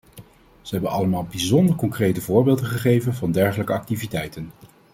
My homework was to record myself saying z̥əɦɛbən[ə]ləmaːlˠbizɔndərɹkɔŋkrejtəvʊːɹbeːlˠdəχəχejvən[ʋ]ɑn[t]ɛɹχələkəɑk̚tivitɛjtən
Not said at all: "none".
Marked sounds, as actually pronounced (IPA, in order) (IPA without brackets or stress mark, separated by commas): ɑ, v, d